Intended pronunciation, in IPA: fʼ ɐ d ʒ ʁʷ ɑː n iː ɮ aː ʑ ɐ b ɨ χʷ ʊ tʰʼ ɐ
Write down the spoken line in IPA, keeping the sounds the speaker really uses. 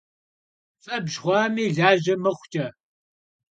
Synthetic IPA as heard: fʼ ɐ b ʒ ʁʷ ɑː m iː ɮ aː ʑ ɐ m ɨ χʷ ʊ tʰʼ ɐ